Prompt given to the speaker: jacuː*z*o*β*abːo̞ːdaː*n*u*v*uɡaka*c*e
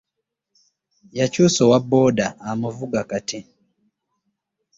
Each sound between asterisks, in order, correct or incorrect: incorrect, incorrect, incorrect, correct, incorrect

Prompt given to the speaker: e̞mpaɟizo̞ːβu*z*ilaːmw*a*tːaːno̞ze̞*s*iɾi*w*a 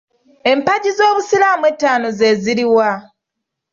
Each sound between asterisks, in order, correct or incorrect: incorrect, incorrect, incorrect, correct

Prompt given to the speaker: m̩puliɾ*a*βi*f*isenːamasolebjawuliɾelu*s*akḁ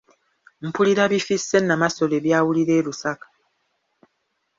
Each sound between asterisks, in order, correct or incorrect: correct, correct, correct

